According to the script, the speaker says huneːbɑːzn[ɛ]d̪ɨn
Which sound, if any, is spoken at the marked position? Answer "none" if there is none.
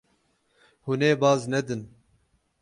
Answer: ɛ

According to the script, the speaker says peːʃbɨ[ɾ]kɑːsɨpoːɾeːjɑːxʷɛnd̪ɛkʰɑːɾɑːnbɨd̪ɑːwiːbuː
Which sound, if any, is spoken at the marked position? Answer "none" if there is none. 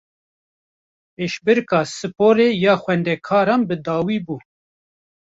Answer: ɾ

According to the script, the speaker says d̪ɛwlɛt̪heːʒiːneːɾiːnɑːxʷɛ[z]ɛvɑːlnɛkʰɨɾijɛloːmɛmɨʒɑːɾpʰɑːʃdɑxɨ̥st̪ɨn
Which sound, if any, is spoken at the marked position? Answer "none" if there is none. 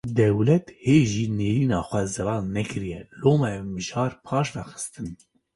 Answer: z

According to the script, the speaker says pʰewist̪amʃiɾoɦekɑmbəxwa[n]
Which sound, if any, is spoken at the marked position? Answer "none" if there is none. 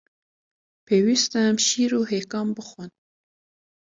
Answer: n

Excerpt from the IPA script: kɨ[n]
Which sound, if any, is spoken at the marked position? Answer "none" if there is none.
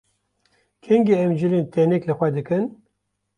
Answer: n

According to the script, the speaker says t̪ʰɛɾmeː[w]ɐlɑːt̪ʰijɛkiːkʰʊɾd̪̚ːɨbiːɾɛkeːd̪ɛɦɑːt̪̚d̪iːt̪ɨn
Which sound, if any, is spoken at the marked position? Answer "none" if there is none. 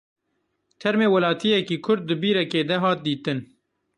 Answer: w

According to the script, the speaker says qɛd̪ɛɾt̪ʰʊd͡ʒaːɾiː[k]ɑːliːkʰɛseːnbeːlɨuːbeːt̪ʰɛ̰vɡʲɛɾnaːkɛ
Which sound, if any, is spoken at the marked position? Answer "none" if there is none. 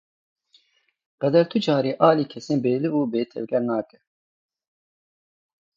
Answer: ʔ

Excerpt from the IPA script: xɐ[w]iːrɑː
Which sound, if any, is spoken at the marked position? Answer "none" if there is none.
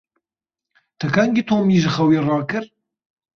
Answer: w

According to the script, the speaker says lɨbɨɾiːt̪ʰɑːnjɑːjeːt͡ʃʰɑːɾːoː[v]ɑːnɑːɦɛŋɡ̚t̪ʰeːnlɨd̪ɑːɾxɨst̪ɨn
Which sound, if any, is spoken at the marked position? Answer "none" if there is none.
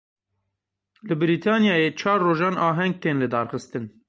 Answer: ʒ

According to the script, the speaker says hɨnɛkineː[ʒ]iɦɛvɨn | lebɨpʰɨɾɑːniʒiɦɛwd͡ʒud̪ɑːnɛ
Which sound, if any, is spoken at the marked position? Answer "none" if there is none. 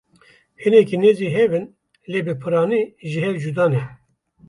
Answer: z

